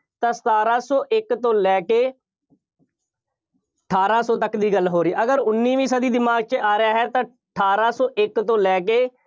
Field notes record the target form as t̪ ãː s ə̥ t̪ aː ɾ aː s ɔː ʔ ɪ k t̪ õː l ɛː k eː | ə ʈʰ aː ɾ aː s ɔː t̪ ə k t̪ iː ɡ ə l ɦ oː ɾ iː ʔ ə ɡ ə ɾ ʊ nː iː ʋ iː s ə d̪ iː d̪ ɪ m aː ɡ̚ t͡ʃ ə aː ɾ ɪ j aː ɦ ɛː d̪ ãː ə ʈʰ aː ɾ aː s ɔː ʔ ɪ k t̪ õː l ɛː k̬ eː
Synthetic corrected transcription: t̪ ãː s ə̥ t̪ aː ɾ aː s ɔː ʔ ɪ k t̪ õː l ɛː k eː | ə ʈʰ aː ɾ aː s ɔː t̪ ə k d̪ iː ɡ ə l ɦ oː ɾ iː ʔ ə ɡ ə ɾ ʊ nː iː ʋ iː s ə d̪ iː d̪ ɪ m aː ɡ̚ t͡ʃ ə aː ɾ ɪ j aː ɦ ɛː t̪ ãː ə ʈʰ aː ɾ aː s ɔː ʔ ɪ k t̪ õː l ɛː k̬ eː